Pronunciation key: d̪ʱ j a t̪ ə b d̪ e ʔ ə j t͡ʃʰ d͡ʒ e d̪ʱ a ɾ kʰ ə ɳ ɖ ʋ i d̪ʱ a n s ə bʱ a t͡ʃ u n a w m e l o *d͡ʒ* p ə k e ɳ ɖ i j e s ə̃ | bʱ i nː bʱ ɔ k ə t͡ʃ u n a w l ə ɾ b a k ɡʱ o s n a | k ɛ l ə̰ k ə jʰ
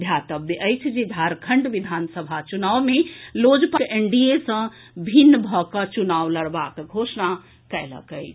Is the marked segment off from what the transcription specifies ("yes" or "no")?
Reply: no